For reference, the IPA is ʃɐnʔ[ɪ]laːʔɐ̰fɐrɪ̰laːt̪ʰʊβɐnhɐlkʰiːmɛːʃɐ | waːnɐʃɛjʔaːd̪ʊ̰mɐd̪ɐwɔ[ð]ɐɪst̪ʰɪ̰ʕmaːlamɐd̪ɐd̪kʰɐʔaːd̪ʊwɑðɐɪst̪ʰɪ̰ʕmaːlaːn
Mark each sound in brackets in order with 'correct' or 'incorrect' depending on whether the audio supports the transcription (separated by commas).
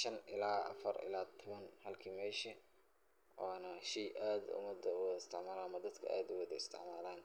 correct, correct